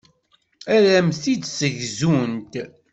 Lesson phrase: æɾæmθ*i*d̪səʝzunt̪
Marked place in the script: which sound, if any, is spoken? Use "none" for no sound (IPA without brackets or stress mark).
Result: i